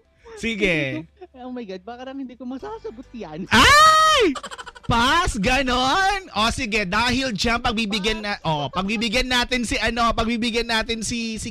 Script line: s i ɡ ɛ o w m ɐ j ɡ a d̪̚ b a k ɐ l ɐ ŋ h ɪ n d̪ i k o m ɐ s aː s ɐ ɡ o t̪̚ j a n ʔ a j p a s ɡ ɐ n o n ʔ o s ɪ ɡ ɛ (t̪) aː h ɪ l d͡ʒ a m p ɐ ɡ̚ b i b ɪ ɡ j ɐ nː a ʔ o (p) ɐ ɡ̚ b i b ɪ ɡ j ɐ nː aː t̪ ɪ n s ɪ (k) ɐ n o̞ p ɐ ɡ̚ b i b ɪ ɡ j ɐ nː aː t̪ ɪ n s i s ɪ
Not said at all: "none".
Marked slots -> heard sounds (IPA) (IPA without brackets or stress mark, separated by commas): d̪, p, ʔ